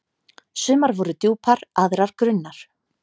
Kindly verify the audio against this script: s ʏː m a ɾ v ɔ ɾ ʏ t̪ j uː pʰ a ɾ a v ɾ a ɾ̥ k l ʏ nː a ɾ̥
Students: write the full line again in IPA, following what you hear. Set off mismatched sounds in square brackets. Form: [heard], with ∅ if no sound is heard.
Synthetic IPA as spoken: s ʏː m a ɾ v ɔ ɾ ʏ t̪ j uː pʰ a ɾ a [ð] ɾ a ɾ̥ k [ɾ] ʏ nː a ɾ̥